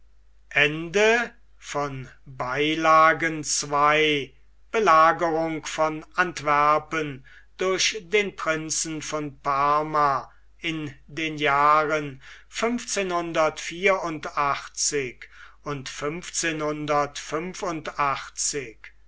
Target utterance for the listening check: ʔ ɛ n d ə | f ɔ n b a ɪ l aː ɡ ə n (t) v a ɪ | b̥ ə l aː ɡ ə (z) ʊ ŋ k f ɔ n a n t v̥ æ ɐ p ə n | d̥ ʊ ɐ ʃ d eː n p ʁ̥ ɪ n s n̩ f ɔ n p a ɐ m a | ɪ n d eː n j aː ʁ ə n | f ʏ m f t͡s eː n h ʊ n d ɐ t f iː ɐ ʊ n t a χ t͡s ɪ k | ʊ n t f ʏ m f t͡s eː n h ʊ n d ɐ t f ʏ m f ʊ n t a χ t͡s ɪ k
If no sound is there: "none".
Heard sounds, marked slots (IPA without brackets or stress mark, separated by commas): t͡s, ʁ